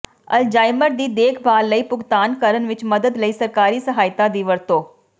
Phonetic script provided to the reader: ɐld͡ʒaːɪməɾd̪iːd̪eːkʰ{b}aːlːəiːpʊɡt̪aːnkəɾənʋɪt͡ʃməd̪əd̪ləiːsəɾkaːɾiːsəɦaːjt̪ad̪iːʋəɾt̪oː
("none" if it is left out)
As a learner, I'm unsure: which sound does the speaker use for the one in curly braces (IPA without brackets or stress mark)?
b